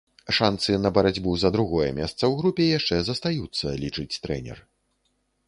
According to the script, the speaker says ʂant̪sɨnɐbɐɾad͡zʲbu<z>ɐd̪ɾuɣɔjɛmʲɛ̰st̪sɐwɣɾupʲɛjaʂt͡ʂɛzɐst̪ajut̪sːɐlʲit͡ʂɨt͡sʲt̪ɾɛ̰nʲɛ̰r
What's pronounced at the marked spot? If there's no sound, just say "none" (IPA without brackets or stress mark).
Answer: z